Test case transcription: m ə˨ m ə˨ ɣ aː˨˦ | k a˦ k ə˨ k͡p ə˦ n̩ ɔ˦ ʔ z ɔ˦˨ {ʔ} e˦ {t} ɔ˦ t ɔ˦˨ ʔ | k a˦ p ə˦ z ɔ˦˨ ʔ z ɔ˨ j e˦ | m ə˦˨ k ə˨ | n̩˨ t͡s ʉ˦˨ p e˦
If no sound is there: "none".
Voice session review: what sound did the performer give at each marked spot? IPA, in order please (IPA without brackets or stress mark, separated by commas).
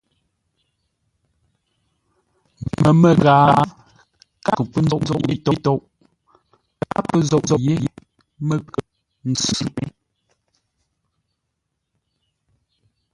ʔ, t